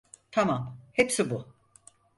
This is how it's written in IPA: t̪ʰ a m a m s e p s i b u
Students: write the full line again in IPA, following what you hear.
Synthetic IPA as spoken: t̪ʰ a m a m h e p s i b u